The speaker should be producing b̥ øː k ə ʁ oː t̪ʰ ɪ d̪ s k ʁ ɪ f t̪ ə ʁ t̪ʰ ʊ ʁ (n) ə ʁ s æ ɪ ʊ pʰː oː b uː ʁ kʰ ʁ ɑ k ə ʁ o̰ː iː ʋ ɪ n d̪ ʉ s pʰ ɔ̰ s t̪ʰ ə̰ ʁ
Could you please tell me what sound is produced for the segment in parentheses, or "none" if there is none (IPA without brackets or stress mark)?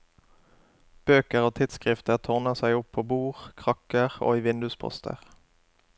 n